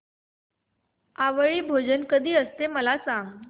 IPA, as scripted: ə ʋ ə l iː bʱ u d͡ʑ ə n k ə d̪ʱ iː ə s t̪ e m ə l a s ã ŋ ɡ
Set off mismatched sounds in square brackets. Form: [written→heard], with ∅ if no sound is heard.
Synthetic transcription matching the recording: [ə→a] ʋ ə [l→ɭ] iː bʱ [u→o] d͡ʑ ə n k ə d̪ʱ iː ə s t̪ e m ə l a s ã ŋ ɡ

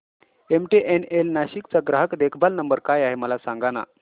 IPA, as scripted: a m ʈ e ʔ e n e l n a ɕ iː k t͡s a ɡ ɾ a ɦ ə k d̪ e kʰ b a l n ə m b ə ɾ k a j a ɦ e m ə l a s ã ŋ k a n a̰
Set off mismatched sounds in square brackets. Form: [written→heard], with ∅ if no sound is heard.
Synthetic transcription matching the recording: [a→e] m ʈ e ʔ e n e l n a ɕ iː k t͡s a ɡ ɾ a ɦ ə k d̪ e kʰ b a l n ə m b ə ɾ k a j a ɦ e m ə l a s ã ŋ [k→ɡ] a n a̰

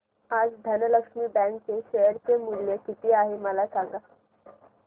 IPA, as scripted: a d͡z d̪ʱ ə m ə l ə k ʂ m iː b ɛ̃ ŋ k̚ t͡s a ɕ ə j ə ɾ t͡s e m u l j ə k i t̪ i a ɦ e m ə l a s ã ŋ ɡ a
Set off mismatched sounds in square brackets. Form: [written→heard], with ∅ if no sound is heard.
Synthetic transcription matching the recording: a d͡z d̪ʱ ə [m→n] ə l ə k ʂ m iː b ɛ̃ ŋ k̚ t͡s [a→e] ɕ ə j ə ɾ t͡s e m u l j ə k i t̪ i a ɦ e m ə l a s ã ŋ ɡ a

